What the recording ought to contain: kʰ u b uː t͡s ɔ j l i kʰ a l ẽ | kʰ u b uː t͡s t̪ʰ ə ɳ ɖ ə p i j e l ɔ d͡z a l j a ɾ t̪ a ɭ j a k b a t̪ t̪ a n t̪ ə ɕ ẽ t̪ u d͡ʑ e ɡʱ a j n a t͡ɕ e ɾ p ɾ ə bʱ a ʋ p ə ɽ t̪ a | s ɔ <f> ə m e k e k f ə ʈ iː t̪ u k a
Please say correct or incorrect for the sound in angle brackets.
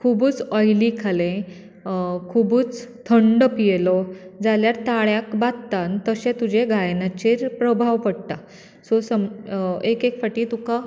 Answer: incorrect